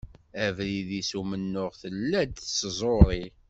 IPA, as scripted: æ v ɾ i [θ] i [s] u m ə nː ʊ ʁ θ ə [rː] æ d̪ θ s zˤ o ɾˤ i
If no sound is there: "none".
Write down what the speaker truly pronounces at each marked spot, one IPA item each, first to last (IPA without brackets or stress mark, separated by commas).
ð, s, lː